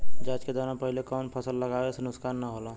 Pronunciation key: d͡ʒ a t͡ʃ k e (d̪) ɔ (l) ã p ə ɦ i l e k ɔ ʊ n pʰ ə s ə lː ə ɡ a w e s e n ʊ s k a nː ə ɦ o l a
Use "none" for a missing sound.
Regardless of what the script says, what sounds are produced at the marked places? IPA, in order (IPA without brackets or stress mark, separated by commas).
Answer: d̪, ɾ